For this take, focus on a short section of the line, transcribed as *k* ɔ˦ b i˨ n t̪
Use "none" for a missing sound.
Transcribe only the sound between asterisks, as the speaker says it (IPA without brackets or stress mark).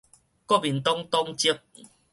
k